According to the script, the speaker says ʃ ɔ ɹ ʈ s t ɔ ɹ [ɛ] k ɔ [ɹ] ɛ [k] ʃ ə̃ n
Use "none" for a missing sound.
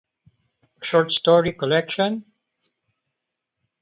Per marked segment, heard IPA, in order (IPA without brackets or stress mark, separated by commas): i, l, k